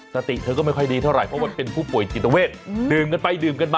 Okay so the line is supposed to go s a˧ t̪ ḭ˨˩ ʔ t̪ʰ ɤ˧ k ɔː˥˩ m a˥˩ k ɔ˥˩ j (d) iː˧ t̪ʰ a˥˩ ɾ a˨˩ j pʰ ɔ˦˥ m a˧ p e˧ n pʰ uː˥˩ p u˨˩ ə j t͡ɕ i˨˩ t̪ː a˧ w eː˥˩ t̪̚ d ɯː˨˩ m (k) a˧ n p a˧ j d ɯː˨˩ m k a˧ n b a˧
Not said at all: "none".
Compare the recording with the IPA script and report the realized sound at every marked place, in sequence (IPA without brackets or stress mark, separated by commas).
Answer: d, k